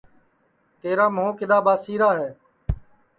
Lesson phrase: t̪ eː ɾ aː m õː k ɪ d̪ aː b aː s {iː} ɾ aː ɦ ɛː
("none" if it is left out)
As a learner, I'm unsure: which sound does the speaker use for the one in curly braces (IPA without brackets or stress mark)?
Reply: iː